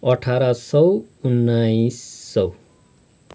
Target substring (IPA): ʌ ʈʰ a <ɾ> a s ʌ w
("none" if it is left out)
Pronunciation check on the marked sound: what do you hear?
ɾ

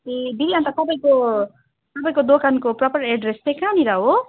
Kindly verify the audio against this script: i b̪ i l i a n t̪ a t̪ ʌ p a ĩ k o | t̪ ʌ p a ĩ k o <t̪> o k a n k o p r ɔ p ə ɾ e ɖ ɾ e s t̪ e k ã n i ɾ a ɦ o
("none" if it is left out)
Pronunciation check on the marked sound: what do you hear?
d̪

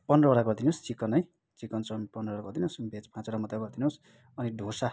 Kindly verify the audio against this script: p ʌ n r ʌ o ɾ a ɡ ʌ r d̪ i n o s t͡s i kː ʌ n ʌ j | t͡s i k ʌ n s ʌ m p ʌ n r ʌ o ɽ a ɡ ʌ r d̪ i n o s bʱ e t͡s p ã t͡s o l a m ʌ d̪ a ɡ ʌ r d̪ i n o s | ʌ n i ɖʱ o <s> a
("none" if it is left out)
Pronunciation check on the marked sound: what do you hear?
s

